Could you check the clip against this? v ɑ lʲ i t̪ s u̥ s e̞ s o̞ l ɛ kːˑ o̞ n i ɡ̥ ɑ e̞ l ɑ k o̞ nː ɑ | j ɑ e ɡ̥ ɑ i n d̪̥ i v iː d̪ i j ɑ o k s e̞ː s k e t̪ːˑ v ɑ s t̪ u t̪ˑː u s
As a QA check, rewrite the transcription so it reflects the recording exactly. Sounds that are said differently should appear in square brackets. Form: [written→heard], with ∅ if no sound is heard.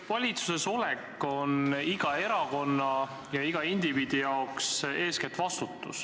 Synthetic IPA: v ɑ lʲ i t̪ s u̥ s e̞ s o̞ l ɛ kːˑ o̞ n i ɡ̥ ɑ e̞ [l→ɾ] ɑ k o̞ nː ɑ | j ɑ [e→i] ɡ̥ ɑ i n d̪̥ i v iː d̪ i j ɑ o k s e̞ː s k e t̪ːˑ v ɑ s t̪ u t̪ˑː u s

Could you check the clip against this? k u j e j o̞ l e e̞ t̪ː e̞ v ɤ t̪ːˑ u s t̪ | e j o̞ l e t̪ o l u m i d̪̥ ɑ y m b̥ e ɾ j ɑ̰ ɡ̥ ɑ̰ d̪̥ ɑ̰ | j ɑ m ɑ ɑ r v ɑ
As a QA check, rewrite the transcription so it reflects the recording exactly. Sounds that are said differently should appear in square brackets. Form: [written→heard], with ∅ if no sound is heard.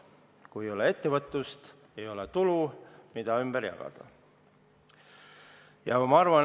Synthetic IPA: k u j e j o̞ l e e̞ t̪ː e̞ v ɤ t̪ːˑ u s t̪ | e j o̞ l e t̪ [o→u] l u m i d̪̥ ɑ y m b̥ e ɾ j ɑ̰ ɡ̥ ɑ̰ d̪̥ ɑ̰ | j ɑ m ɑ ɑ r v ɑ

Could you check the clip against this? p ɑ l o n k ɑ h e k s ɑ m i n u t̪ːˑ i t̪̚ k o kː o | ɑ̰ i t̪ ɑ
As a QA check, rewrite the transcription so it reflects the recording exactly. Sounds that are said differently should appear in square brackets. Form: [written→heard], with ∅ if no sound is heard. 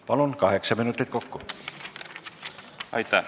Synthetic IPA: p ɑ l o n k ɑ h e k s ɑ m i n u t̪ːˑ i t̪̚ k o kː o | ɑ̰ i t̪ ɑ

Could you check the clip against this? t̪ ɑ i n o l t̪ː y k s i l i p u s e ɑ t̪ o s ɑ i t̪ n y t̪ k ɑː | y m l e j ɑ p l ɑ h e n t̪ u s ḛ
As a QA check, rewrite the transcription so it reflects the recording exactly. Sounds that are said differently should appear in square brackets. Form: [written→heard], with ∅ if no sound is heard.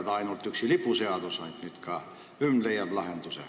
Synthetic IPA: t̪ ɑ i n o l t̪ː y k s i l i p u s e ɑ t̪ o s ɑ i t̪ n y t̪ k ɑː | y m l e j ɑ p l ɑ h e n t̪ u s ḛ

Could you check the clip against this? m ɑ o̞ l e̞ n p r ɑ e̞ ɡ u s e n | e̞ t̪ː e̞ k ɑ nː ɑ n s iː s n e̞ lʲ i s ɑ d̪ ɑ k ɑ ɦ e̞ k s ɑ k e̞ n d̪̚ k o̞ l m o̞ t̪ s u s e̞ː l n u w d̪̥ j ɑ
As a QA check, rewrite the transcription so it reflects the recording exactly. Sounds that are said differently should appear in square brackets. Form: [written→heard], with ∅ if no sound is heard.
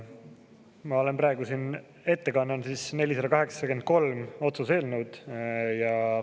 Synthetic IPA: m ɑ o̞ l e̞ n p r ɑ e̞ ɡ u s [e→i] n | e̞ t̪ː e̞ k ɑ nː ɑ n s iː s n e̞ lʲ i s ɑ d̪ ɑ k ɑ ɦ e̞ k s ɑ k e̞ n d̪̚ k o̞ l m o̞ t̪ s u s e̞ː l n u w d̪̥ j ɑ

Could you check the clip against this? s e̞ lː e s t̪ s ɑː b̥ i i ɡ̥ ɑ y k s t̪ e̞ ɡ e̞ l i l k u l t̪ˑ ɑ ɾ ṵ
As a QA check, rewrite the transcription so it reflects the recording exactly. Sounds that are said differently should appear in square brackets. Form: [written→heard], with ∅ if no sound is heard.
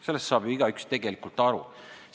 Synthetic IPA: s e̞ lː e s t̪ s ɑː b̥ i i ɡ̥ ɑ y k s t̪ e̞ ɡ e̞ l i [l→∅] k u l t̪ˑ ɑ ɾ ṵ

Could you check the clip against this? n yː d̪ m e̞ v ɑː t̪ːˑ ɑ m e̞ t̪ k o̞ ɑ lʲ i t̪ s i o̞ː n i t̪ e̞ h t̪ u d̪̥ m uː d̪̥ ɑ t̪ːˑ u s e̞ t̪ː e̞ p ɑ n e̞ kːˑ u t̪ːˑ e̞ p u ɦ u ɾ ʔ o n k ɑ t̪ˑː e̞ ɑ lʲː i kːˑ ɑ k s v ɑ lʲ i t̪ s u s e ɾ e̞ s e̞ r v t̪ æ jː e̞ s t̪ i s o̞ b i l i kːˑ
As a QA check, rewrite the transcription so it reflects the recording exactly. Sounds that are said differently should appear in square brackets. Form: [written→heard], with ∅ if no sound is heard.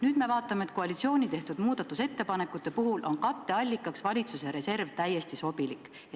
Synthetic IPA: n yː d̪ m e̞ v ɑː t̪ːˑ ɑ m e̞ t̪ k o̞ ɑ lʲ i t̪ s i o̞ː n i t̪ e̞ h t̪ u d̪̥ m uː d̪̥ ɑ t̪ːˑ u s e̞ t̪ː e̞ p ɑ n e̞ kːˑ u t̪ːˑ e̞ p u ɦ u [ɾ→l] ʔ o n k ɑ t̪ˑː e̞ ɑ lʲː i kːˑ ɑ k s v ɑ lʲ i t̪ s u s e ɾ e̞ s e̞ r v t̪ æ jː e̞ s t̪ i s o̞ b i l i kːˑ

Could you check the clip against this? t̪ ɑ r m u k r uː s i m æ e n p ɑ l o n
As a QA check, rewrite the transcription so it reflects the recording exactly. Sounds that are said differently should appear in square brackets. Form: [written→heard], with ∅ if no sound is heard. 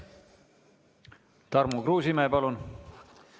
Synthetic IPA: t̪ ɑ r m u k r uː s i m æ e [n→∅] p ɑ l [o→u] n

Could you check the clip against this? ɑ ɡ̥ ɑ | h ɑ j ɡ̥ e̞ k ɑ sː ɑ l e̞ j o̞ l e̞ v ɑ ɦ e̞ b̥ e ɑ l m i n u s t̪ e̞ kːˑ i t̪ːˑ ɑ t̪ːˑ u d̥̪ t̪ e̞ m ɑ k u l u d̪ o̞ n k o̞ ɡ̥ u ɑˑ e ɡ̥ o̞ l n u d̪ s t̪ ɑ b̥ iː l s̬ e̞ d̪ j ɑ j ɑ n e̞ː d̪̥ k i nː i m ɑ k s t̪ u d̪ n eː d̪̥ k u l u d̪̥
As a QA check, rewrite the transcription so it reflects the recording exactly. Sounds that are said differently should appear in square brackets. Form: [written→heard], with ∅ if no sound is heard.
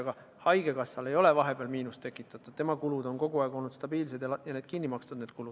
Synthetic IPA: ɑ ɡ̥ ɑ | h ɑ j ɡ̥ e̞ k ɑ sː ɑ l e̞ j o̞ l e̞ v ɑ ɦ e̞ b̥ e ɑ l m [i→iː] n u s t̪ e̞ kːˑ i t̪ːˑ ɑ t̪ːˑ u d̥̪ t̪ e̞ m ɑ k u l u d̪ o̞ n k o̞ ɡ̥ u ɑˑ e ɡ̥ o̞ l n u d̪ s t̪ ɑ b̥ iː l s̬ e̞ d̪ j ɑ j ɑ n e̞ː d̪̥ k i nː i m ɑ k s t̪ u d̪ n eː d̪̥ k u l u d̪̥

